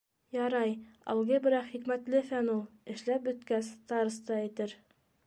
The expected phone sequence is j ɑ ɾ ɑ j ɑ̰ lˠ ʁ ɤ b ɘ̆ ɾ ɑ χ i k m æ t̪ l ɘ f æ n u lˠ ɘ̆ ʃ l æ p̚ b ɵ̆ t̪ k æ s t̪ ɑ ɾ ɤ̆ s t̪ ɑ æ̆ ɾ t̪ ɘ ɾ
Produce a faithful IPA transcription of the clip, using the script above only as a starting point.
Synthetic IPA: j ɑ ɾ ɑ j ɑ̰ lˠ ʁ ɤ b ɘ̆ ɾ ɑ χ i k m æ t̪ l ɘ f æ n u lˠ ɘ̆ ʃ l æ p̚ b ɵ̆ t̪ k æ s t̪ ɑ ɾ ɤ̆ s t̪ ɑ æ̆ t̪ ɘ ɾ